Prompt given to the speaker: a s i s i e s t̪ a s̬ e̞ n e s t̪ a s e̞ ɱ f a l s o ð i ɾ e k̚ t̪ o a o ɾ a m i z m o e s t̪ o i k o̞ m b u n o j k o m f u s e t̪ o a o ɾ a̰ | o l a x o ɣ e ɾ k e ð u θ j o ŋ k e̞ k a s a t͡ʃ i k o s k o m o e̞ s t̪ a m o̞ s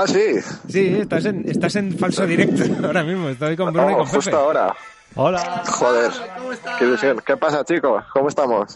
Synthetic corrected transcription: a s i s i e s t̪ a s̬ e̞ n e s t̪ a s e̞ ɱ f a l s o ð i ɾ e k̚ t̪ o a o ɾ a m i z m o e s t̪ o j k o̞ m b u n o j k o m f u s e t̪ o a o ɾ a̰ | o l a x o ð e ɾ k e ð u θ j o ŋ k e̞ p a s a t͡ʃ i k o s k o m o e̞ s t̪ a m o̞ s